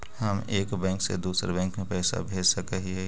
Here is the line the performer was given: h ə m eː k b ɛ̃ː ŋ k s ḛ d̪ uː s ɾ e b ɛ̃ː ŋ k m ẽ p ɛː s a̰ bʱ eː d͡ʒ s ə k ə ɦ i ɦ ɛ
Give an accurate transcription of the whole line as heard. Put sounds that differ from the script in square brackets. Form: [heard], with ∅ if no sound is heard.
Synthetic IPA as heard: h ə m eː k b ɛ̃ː ŋ k s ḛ d̪ uː s ɾ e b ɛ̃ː ŋ k m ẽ p ɛː s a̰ bʱ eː d͡ʒ s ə k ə ɦ i ɦ ɛ